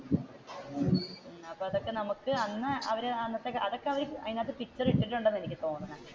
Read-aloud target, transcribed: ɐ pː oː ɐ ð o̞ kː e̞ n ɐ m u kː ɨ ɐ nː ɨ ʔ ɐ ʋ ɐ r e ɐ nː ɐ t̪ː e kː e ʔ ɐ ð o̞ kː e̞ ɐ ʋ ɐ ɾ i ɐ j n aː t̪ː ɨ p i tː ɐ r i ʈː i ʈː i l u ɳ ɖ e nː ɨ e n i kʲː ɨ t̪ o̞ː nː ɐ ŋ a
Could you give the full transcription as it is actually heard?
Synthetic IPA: ɐ pː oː ɐ ð o̞ kː e̞ n ɐ m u kː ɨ ɐ nː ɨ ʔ ɐ ʋ ɐ ɾ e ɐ nː ɐ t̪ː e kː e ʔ ɐ ð o̞ kː e̞ ɐ ʋ ɐ ɾ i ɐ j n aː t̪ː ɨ p i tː ɐ r i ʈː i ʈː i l u ɳ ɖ e nː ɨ e n i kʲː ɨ t̪ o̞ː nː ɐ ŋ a